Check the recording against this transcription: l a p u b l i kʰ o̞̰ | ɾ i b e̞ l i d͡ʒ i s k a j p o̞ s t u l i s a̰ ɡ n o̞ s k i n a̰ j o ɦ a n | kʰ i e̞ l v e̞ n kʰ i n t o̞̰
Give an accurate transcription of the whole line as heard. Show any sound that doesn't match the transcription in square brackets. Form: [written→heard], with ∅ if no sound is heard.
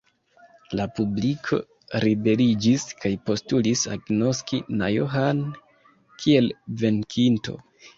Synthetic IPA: l a p u b l i kʰ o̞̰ | ɾ i b e̞ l i d͡ʒ i s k a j p o̞ s t u l i s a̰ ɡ n o̞ s k i n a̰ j o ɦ a n | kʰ i e̞ l v e̞ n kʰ i n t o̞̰